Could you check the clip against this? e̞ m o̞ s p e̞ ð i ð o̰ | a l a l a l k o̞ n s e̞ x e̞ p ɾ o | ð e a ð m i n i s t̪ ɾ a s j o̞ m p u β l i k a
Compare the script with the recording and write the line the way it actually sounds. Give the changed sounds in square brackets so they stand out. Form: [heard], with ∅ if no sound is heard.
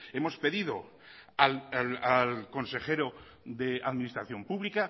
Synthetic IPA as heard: e̞ m o̞ s p e̞ ð i ð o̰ | a l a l a l k o̞ n s e̞ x e̞ [∅] ɾ o | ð e a ð m i n i s t̪ ɾ a [θ] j o̞ m p u β l i k a

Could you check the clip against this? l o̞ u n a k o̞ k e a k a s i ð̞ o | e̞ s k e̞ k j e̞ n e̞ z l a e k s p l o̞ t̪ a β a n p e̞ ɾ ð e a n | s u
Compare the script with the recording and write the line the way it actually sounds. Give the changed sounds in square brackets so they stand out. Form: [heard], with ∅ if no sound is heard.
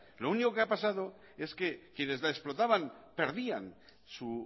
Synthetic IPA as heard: l o̞ u n [i] k o̞ k e a [p] a s [a] ð̞ o | e̞ s k e̞ k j e̞ n e̞ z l a e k s p l o̞ t̪ a β a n p e̞ ɾ ð [i] a n | s u

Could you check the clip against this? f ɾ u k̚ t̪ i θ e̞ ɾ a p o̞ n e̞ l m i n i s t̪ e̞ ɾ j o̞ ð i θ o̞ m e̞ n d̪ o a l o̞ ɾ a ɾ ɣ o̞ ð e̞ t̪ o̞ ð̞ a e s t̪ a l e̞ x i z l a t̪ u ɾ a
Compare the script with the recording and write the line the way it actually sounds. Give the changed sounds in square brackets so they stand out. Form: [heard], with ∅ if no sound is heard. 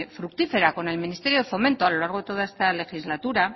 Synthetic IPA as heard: f ɾ u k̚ t̪ i [f] e̞ ɾ a [k] o̞ n e̞ l m i n i s t̪ e̞ ɾ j o̞ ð [e] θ o̞ m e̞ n [t̪] o a l o̞ [l] a ɾ ɣ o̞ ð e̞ t̪ o̞ ð̞ a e s t̪ a l e̞ x i z l a t̪ u ɾ a

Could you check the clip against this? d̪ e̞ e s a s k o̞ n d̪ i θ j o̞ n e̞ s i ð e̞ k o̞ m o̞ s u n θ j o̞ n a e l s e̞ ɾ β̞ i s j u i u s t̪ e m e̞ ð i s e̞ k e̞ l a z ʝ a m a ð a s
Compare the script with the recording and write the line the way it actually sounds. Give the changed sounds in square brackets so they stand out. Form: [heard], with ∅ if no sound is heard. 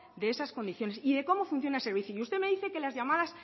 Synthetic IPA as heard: d̪ e̞ e s a s k o̞ n d̪ i θ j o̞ n e̞ s i ð e̞ k o̞ m o̞ [f] u n θ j o̞ n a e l s e̞ ɾ β̞ i [θ] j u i u s t̪ e m e̞ ð i [θ] e̞ k e̞ l a z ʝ a m a ð a s

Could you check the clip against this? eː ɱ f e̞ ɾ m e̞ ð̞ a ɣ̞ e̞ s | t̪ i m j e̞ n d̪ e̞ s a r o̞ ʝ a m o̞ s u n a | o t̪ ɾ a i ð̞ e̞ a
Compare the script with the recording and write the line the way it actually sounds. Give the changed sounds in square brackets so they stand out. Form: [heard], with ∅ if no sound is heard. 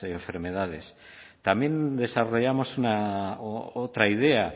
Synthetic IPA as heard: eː ɱ f e̞ ɾ m e̞ ð̞ a [ð̞] e̞ s | t̪ [a] m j e̞ n d̪ e̞ s a r o̞ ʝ a m o̞ s u n a | o t̪ ɾ a i ð̞ e̞ a

